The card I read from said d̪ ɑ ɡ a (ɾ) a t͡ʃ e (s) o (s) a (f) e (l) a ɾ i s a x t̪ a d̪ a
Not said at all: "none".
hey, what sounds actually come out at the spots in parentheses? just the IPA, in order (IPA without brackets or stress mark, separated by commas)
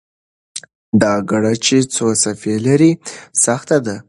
ɽ, t͡s, s, f, l